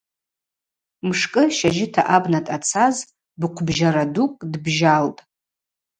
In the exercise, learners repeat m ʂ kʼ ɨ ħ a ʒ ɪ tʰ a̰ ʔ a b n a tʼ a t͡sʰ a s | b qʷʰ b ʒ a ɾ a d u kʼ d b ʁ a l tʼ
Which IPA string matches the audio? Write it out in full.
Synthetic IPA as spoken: m ʂ kʼ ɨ ʃ a ʒ ɪ tʰ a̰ ʔ a b n a tʼ a t͡sʰ a z | b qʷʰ b ʒ a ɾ a d u kʼ d b ʒ a l tʼ